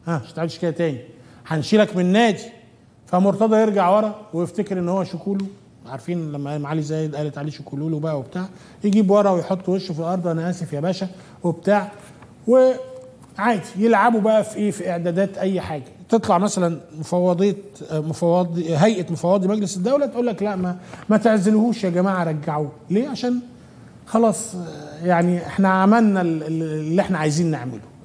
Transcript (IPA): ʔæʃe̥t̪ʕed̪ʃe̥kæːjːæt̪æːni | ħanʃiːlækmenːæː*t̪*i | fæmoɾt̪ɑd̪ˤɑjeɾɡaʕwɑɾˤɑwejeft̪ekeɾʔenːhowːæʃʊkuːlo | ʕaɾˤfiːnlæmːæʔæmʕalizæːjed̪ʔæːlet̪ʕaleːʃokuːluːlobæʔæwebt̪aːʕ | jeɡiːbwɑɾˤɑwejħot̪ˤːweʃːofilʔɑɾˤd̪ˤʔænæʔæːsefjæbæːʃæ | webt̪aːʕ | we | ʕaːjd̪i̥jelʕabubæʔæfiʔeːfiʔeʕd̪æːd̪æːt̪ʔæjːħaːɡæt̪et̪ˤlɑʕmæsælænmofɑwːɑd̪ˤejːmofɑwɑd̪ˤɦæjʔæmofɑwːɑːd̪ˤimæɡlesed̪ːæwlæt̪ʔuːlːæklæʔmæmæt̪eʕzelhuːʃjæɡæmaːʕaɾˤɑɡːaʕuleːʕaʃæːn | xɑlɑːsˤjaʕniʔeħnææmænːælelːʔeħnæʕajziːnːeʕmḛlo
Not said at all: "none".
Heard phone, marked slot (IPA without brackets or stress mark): d̪